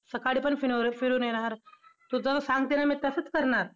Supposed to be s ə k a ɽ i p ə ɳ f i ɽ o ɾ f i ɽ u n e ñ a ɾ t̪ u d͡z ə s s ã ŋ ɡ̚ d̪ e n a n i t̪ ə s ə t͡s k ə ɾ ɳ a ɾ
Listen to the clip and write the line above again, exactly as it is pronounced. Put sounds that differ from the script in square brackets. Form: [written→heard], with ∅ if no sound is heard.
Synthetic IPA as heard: s ə k a ɽ i p ə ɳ f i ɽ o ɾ f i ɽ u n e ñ a ɾ t̪ u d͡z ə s s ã ŋ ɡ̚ [d̪→t̪] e n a [n→m] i t̪ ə s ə t͡s k ə ɾ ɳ a ɾ